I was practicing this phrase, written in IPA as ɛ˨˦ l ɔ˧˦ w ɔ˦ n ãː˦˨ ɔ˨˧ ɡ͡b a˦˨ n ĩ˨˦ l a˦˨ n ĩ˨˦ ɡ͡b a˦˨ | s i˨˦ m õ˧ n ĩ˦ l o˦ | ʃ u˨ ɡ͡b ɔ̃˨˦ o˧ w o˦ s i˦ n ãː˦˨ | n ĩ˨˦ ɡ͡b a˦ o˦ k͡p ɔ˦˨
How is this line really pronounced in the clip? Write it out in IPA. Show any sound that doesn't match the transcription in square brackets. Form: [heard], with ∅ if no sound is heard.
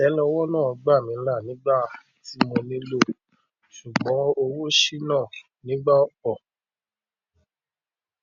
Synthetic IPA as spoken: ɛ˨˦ l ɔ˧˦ w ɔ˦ n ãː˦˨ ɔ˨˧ ɡ͡b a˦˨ [m] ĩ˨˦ l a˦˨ n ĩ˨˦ ɡ͡b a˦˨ | [t] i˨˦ m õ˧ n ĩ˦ l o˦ | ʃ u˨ ɡ͡b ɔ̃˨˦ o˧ w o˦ [ʃ] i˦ n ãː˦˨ | n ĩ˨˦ ɡ͡b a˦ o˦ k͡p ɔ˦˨

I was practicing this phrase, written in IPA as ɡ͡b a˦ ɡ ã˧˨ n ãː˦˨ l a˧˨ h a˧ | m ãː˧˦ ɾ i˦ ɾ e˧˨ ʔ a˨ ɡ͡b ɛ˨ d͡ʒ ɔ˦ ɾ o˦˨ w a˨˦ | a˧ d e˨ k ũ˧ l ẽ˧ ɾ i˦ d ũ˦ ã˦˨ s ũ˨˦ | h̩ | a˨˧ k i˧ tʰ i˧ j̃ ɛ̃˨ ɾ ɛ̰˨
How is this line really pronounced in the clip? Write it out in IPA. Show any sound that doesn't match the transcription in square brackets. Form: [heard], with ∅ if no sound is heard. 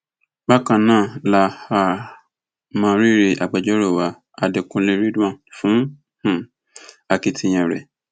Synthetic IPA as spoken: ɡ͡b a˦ [k] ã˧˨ n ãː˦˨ l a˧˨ h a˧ | m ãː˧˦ ɾ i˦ ɾ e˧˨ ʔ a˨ ɡ͡b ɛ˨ d͡ʒ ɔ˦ ɾ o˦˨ w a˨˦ | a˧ d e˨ k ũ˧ l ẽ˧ ɾ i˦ d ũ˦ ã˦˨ [f] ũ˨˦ | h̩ | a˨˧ k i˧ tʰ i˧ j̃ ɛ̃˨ ɾ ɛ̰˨

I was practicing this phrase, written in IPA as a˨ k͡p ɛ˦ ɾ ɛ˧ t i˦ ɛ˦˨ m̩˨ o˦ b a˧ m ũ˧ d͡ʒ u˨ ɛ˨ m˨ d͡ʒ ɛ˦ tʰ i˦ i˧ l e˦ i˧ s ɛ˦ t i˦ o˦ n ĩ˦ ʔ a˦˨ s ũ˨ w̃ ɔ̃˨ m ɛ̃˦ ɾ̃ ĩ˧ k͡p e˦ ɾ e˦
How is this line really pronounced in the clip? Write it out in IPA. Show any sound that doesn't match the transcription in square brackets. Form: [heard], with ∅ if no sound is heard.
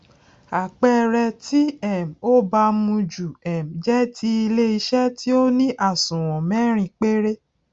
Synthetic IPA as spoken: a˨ k͡p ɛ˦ ɾ ɛ˧ t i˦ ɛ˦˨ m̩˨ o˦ b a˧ m ũ˧ d͡ʒ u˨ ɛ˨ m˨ d͡ʒ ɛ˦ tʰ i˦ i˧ l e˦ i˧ [ʃ] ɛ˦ t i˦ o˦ n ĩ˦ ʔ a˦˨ s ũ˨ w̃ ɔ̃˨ m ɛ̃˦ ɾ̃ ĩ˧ k͡p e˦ ɾ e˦

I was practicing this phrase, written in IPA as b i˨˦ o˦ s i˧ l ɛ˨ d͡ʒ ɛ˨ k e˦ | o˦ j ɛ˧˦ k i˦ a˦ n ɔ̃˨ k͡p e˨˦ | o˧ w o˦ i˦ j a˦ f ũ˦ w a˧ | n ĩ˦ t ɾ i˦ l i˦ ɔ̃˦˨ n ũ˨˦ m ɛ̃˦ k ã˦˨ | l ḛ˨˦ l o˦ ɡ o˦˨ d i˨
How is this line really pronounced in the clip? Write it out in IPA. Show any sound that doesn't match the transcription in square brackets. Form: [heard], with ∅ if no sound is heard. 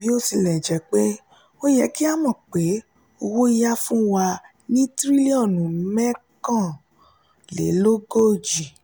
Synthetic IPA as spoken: b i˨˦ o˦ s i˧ l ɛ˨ d͡ʒ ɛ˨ [k͡p] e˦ | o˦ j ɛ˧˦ k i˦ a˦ [m] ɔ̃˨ k͡p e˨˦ | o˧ w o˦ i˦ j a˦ f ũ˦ w a˧ | n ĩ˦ t ɾ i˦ l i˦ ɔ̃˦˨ n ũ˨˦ m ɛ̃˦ k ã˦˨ | l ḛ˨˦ l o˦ ɡ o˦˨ [d͡ʒ] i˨

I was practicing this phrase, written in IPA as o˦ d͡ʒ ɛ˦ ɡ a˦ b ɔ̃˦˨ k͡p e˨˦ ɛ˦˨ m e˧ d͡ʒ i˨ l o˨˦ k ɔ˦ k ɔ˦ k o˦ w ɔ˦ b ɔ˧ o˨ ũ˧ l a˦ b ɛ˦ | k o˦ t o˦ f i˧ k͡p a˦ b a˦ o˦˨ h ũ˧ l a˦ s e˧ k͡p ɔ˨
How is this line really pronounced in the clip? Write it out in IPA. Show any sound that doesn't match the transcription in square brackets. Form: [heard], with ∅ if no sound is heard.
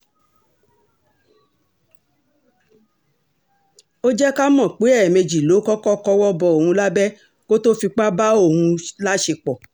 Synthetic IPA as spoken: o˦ d͡ʒ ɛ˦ [k] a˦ [m] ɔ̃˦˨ k͡p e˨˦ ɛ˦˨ m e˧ d͡ʒ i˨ l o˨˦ k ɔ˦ k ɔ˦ k [ɔ˦] w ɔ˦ b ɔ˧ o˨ ũ˧ l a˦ b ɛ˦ | k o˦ t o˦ f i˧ k͡p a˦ b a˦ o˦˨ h ũ˧ l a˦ [ʃ] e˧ k͡p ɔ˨

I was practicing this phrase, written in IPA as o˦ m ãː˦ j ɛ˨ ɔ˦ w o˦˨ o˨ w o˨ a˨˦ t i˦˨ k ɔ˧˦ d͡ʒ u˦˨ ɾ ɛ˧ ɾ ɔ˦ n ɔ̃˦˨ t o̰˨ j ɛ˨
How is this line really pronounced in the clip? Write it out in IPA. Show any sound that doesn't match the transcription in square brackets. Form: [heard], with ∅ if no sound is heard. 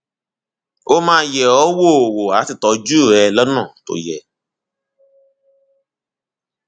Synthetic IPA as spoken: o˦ m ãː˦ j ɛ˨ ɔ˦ w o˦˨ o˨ w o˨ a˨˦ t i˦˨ [t] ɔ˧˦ d͡ʒ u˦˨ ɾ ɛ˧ [l] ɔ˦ n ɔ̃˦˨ t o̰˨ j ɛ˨

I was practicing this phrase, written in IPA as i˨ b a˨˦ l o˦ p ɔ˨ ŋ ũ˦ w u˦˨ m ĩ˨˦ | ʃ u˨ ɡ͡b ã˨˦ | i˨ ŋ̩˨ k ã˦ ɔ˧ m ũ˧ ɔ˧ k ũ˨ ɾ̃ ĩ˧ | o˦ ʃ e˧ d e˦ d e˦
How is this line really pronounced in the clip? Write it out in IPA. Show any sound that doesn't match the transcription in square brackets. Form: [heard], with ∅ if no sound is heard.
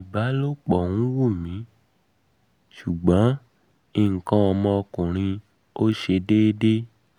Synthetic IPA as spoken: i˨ b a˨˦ l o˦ [k͡p] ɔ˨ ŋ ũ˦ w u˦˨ m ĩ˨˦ | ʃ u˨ ɡ͡b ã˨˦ | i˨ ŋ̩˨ k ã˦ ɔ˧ m [ɔ̃˧] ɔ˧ k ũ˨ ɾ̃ ĩ˧ | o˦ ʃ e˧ d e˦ d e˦

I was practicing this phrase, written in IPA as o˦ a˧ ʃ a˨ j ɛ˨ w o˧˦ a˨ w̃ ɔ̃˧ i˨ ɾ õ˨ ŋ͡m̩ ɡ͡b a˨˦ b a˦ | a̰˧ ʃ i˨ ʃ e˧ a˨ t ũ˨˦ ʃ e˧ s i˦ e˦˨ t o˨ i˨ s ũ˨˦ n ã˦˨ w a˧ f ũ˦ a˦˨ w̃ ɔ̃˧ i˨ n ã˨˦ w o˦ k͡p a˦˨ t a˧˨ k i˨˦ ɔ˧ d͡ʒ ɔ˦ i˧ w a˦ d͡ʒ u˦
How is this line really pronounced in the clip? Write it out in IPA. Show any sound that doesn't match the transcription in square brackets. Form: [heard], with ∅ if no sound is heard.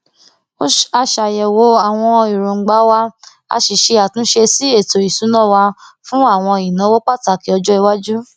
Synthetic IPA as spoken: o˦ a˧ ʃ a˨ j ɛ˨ w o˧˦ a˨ w̃ ɔ̃˧ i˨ ɾ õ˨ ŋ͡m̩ ɡ͡b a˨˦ [w] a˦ | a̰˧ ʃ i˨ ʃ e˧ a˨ t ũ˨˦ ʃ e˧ s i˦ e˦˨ t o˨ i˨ s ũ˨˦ n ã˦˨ w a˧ f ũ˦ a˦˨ w̃ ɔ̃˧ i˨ n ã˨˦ w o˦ k͡p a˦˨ t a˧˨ k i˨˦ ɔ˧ d͡ʒ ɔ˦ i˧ w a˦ d͡ʒ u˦

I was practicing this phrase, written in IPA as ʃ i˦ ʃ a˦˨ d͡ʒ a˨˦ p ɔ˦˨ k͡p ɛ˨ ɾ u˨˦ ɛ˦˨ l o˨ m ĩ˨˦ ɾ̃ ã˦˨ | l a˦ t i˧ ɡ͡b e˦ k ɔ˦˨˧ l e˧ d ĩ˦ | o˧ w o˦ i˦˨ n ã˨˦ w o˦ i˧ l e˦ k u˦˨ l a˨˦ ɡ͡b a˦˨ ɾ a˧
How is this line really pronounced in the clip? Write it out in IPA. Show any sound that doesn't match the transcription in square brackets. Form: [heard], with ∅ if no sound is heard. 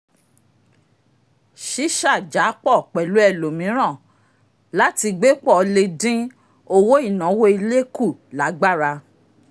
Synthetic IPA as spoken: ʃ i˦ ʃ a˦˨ d͡ʒ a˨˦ [k͡p] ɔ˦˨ k͡p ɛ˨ [l] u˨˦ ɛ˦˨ l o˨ m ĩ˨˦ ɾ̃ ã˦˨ | l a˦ t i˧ ɡ͡b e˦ [k͡p] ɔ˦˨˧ l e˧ d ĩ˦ | o˧ w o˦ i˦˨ n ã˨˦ w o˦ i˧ l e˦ k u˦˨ l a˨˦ ɡ͡b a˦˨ ɾ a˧

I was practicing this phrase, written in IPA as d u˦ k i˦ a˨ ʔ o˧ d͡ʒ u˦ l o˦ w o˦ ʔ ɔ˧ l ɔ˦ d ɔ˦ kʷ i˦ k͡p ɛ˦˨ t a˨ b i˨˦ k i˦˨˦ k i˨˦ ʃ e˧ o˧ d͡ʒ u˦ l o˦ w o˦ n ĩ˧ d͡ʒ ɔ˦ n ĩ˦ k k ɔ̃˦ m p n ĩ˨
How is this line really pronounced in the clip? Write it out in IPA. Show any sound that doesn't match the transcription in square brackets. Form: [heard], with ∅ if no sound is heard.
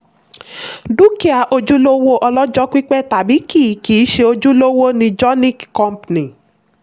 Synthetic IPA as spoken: d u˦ k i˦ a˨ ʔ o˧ d͡ʒ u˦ l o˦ w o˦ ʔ ɔ˧ l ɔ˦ [d͡ʒ] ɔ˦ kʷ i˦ k͡p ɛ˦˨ t a˨ b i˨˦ k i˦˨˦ k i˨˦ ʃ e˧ o˧ d͡ʒ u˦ l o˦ w o˦ n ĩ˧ d͡ʒ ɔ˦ n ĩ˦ k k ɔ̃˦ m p n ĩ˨

